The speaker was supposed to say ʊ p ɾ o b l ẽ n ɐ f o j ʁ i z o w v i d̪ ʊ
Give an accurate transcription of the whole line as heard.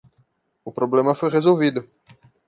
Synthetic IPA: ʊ p ɾ o b l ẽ m ɐ f o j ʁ e z o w v i d̪ ʊ